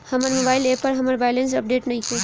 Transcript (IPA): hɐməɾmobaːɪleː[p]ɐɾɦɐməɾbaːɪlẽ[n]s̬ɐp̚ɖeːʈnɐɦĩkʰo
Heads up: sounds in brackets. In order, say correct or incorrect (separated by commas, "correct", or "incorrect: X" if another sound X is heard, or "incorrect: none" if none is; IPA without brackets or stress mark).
correct, correct